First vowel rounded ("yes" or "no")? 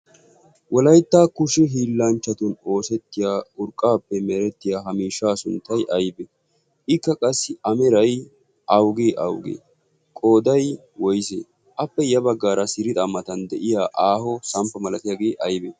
yes